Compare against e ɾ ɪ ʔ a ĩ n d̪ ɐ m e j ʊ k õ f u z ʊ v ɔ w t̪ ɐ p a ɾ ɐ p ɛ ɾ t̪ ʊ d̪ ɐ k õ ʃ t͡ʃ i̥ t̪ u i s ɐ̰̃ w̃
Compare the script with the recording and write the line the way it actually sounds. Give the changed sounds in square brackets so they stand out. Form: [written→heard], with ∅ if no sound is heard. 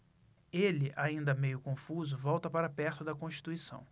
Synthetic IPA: e [ɾ→l] ɪ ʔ a ĩ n d̪ ɐ m e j ʊ k õ f u z ʊ v ɔ w t̪ ɐ p a ɾ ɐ p ɛ ɾ t̪ ʊ d̪ ɐ k õ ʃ t͡ʃ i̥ t̪ u i s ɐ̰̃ w̃